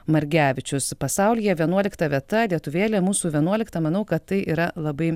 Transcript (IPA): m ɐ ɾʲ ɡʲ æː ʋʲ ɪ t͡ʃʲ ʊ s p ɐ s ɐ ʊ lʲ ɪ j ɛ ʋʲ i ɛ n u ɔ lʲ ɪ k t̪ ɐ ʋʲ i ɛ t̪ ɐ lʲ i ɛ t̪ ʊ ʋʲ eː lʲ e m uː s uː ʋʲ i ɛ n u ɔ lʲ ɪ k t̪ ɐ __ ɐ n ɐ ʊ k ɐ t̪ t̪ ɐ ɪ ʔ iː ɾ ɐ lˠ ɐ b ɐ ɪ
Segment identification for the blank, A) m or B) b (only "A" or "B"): A